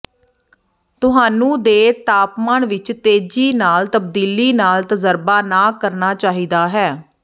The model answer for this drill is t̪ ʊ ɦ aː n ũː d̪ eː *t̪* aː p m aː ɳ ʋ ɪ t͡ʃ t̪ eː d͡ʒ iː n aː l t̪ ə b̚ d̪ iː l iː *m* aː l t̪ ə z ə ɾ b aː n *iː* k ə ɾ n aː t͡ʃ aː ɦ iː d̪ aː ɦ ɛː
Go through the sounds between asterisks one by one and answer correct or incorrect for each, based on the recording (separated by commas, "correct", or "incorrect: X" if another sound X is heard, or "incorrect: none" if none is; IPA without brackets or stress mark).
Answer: correct, incorrect: n, incorrect: aː